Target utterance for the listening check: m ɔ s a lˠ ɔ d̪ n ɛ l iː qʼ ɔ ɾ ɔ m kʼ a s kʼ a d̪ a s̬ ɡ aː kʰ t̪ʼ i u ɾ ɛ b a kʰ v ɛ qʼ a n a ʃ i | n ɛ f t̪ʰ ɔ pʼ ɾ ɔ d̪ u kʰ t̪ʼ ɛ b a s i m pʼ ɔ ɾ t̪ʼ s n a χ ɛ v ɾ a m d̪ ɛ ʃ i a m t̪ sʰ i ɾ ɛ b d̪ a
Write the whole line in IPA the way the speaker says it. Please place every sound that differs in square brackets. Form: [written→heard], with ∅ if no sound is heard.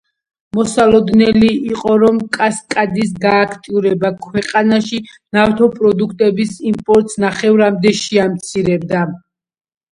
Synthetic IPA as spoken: m ɔ s a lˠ ɔ d̪ n ɛ l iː qʼ ɔ ɾ ɔ m kʼ a s kʼ a d̪ [a→i] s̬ ɡ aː kʰ t̪ʼ i u ɾ ɛ b a kʰ [v→w] ɛ qʼ a n a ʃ i | n [ɛ→a] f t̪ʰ ɔ pʼ ɾ ɔ d̪ u kʰ t̪ʼ ɛ b [a→i] s i m pʼ ɔ ɾ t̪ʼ s n a χ ɛ v ɾ a m d̪ ɛ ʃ i a m t̪ sʰ i ɾ ɛ b d̪ a